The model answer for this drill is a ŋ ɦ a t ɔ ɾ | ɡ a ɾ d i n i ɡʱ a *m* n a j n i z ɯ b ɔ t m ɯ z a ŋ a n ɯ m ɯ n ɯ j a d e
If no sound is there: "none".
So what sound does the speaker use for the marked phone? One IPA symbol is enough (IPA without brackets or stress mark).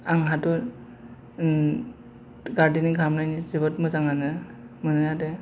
m